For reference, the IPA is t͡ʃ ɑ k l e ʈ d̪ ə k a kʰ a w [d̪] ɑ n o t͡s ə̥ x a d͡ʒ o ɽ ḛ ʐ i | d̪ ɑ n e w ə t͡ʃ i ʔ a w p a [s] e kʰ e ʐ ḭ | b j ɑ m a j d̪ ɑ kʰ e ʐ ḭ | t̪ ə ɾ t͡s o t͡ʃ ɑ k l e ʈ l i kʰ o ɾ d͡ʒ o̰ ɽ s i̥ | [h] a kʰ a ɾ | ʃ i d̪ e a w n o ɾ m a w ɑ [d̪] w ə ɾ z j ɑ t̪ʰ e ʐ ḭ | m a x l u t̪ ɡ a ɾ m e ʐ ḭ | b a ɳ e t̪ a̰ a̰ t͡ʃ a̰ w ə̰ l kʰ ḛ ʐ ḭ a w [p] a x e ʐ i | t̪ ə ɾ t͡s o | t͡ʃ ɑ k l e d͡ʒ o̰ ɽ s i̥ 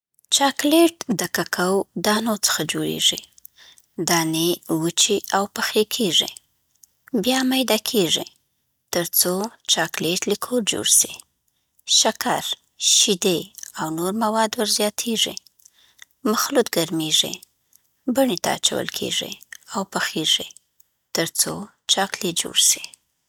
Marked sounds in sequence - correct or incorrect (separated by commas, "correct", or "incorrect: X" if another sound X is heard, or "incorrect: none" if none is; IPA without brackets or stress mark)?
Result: correct, incorrect: x, incorrect: ʃ, correct, correct